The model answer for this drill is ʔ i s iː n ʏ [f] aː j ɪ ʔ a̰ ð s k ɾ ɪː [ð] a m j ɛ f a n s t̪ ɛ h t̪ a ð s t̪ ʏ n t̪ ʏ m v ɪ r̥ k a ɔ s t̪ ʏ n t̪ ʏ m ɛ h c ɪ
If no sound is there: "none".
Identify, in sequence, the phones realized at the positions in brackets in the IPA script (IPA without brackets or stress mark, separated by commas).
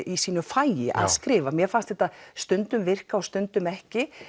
f, v